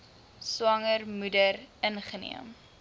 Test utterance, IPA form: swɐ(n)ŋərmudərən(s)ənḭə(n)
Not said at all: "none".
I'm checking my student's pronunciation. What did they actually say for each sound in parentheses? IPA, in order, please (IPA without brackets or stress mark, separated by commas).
none, χ, m